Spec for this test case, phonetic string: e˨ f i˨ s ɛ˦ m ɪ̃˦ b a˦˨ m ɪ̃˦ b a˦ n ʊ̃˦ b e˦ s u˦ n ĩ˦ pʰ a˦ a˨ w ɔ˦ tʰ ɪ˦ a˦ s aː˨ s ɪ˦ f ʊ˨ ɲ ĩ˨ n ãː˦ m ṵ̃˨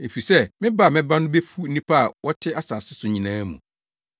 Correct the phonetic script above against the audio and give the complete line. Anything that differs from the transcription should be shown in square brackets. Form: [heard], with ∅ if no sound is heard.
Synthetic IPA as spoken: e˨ f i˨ s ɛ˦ m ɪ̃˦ b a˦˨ m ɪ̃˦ b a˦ n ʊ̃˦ b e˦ [f] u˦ n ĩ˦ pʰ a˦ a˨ w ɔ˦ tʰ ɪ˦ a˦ s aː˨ s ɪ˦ [s] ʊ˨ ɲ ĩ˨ n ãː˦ m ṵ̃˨